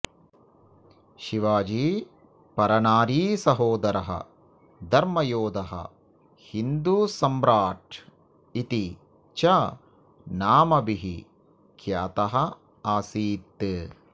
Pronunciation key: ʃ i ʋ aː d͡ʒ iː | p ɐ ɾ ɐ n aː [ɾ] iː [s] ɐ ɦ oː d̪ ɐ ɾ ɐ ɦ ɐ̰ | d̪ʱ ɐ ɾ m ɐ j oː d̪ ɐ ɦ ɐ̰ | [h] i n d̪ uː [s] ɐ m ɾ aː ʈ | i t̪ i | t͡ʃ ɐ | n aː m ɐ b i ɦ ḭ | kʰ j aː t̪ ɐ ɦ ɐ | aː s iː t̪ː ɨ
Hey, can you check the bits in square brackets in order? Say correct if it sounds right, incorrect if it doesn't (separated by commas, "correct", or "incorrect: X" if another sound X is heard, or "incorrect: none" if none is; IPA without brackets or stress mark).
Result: correct, correct, correct, correct